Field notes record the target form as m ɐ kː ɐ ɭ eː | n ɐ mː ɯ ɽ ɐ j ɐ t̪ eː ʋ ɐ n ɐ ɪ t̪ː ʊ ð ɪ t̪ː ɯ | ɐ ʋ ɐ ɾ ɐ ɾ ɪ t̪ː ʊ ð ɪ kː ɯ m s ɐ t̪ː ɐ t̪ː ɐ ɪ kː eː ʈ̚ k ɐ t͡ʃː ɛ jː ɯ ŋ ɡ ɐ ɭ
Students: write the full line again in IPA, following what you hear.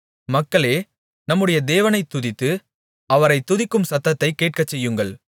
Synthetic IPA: m ɐ kː ɐ ɭ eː | n ɐ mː ɯ ɽ ɐ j ɐ d̪ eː ʋ ɐ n ɐ ɪ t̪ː ʊ ð ɪ t̪ː ɯ | ɐ ʋ ɐ ɾ ɐ ɪ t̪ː ʊ ð ɪ kː ɯ m s ɐ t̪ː ɐ t̪ː ɐ ɪ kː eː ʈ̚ k ɐ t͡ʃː ɛ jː ɯ ŋ ɡ ɐ ɭ